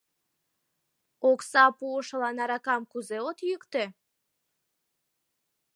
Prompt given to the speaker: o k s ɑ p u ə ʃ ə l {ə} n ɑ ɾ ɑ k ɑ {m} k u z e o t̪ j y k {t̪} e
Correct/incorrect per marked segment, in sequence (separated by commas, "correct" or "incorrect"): incorrect, correct, correct